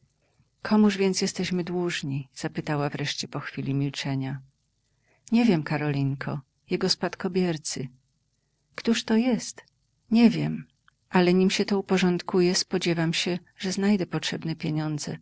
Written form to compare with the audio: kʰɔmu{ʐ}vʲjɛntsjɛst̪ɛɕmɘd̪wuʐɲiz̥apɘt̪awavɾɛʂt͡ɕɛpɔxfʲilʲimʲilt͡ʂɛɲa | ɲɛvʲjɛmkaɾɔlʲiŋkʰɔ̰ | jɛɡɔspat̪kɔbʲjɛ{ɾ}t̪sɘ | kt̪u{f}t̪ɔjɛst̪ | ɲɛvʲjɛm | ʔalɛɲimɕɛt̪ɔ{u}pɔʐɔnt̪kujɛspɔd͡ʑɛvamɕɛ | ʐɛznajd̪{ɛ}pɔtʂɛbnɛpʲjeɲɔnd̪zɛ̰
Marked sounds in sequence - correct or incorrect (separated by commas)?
correct, correct, incorrect, correct, correct